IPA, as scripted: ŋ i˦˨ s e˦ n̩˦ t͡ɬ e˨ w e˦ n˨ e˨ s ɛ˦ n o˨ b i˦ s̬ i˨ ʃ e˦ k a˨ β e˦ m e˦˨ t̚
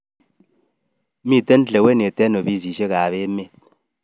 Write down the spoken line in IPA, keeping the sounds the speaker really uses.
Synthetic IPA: m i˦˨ t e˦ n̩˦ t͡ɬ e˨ w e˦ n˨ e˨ t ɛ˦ n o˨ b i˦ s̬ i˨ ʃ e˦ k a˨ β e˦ m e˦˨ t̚